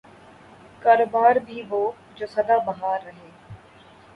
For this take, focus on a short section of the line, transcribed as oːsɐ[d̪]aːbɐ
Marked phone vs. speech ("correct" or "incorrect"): correct